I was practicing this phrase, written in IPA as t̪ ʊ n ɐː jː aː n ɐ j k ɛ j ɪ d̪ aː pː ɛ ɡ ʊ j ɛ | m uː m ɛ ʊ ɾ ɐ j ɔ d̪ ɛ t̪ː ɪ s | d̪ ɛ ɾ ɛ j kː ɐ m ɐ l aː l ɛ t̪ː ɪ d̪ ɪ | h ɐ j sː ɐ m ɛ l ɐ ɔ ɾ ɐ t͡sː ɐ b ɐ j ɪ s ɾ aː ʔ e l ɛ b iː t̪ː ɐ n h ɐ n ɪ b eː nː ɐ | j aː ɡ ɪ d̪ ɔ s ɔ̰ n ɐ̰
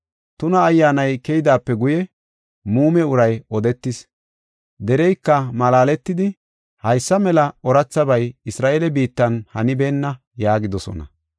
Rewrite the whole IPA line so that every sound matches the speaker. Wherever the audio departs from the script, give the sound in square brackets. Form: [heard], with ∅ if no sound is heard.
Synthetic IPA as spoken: t̪ ʊ n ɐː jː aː n ɐ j k ɛ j ɪ d̪ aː pː ɛ ɡ ʊ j ɛ | m uː m ɛ ʊ ɾ ɐ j ɔ d̪ ɛ t̪ː ɪ s | d̪ ɛ ɾ ɛ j kː ɐ m ɐ l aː l ɛ t̪ː ɪ d̪ ɪ | h ɐ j sː ɐ m ɛ l ɐ ɔ ɾ ɐ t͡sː ɐ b ɐ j ɪ s ɾ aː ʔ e l ɛ b iː t̪ː ɐ n h ɐ n ɪ b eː nː ɐ | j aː ɡ ɪ d̪ ɔ s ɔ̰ n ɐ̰